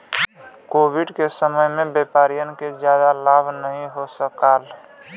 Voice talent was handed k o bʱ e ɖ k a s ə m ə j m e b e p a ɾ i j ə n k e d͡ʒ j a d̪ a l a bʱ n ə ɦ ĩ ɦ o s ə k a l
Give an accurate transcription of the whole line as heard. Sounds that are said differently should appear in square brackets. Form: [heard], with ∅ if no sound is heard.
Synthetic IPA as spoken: k o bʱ [i] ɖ k [e] s ə m ə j m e b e p a ɾ i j ə n k e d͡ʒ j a d̪ a l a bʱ n ə ɦ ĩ ɦ o s ə k a l